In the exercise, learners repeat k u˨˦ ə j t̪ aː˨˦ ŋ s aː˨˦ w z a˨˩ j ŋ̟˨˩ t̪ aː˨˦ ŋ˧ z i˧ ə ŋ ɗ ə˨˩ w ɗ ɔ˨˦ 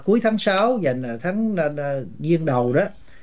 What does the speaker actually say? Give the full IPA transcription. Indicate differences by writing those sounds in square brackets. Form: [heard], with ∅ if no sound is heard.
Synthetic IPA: k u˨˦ ə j [t̪ʰ] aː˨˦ ŋ s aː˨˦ w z a˨˩ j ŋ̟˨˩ [t̪ʰ] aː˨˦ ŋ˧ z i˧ ə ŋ ɗ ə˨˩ w ɗ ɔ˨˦